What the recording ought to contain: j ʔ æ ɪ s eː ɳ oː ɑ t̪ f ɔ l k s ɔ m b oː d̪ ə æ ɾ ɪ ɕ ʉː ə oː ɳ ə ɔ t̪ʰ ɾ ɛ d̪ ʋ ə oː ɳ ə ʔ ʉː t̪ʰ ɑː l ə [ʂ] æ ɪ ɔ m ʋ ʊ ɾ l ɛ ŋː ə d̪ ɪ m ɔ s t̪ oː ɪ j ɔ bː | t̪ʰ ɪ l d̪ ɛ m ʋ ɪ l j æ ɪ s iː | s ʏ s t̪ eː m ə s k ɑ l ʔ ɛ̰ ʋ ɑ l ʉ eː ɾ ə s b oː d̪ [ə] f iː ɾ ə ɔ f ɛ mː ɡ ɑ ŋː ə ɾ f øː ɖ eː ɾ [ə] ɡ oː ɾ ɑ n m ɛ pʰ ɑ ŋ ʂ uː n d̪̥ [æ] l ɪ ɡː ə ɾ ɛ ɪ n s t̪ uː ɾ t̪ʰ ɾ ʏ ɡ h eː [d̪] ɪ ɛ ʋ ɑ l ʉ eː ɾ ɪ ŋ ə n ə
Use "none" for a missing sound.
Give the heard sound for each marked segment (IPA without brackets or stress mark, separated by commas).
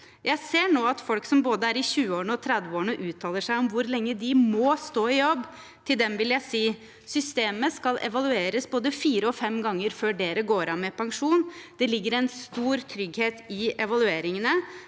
ʂ, ə, ə, ɛ, t̪